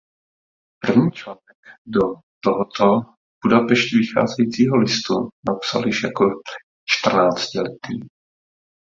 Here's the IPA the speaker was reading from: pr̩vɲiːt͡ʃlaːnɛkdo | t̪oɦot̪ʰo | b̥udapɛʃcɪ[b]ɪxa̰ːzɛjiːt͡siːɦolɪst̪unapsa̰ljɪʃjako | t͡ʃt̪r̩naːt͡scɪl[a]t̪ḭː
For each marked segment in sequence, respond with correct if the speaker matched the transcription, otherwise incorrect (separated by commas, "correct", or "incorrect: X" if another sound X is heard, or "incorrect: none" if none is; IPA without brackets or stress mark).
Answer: incorrect: v, incorrect: ɛ